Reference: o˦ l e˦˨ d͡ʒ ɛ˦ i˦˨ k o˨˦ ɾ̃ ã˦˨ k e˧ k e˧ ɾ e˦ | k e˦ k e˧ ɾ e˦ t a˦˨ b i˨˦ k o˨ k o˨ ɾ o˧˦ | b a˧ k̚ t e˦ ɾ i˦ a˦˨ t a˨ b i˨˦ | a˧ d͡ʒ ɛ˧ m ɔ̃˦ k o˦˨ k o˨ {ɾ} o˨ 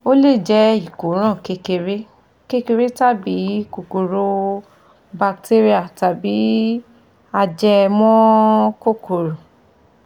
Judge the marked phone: correct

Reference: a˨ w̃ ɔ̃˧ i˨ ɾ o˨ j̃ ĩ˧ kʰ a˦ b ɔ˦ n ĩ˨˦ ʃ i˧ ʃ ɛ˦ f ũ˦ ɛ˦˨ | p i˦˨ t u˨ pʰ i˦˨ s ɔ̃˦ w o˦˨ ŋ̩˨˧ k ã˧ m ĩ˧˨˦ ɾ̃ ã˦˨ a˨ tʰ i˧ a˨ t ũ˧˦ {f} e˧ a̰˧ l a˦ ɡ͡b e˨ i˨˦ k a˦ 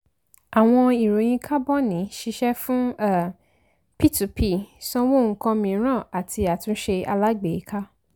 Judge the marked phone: incorrect: ʃ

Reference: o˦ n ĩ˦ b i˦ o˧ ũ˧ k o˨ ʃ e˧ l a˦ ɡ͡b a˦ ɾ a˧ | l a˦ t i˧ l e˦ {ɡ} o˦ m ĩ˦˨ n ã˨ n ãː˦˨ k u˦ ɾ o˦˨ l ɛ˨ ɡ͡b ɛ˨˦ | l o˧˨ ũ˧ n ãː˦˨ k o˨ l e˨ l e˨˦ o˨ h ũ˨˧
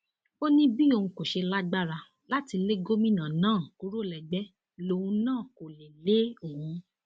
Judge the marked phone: correct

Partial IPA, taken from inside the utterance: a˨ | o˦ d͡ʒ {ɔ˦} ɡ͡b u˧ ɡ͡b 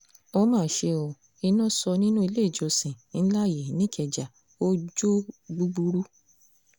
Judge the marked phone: incorrect: o˦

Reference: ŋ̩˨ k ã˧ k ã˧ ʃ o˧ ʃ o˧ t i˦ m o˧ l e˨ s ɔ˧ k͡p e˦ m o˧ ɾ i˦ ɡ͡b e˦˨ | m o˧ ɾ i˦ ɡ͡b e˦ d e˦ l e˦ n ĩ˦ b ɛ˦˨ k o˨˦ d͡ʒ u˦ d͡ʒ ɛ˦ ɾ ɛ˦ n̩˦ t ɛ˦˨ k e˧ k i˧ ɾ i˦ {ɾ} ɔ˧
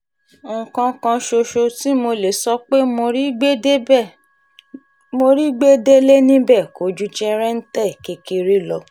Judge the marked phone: incorrect: l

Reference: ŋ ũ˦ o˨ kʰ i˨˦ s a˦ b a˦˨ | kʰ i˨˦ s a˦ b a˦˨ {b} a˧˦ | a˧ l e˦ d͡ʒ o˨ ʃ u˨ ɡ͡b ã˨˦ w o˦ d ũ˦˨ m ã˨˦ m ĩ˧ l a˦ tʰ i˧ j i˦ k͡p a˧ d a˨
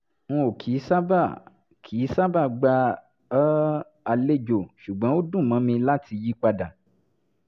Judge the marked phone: incorrect: ɡ͡b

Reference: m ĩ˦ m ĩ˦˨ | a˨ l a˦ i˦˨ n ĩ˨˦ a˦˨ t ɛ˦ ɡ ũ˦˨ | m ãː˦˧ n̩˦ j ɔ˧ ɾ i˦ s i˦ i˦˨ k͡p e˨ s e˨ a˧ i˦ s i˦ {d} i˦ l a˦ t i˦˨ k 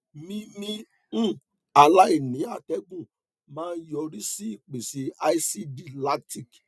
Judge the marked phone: correct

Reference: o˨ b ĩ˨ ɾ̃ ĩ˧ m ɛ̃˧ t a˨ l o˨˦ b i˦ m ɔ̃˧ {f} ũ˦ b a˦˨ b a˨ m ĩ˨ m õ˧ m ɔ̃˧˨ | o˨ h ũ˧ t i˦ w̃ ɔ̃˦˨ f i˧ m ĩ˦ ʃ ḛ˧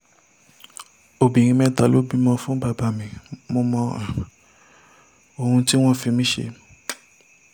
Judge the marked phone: correct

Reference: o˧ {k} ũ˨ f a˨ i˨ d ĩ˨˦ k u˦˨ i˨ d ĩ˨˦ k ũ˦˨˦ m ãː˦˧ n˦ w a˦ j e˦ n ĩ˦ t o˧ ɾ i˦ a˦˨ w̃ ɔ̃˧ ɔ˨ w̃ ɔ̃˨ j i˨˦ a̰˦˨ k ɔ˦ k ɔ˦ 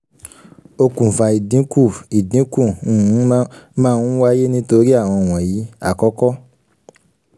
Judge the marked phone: correct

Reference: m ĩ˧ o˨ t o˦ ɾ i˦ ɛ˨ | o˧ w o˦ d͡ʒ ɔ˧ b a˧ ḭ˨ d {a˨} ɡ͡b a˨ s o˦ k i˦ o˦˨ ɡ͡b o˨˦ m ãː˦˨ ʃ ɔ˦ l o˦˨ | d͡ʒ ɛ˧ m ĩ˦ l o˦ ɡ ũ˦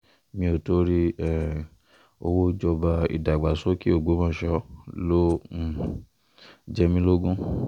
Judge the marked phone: correct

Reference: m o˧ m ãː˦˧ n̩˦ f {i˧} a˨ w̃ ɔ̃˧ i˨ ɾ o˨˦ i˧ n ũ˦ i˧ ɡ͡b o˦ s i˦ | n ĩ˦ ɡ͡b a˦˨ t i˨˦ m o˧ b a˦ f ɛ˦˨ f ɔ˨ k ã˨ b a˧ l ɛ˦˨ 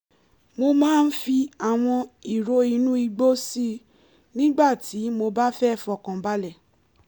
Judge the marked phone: correct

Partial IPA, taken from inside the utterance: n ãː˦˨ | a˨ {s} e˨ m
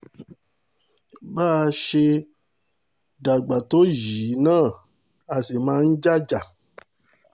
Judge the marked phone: correct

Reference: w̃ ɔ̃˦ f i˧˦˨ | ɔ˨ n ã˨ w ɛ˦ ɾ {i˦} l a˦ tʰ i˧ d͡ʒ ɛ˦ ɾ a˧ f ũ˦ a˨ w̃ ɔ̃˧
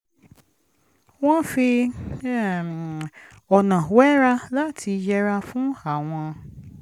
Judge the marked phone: incorrect: a˦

